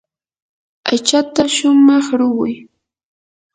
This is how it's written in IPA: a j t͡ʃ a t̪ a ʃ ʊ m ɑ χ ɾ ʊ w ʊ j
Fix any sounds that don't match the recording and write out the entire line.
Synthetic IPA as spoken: a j t͡ʃ a t̪ a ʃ ʊ m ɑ χ ɾ ʊ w ʊ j